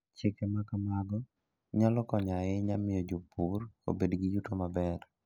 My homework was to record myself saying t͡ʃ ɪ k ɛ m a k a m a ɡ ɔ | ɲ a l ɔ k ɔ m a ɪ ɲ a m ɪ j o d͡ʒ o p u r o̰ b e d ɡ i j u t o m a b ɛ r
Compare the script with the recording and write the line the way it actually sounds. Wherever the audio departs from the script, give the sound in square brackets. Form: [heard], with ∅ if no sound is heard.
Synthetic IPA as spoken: t͡ʃ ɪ k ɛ m a k a m a ɡ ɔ | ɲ a l ɔ k ɔ [ɲ] a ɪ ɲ a m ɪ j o d͡ʒ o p u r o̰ b e d ɡ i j u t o m a b ɛ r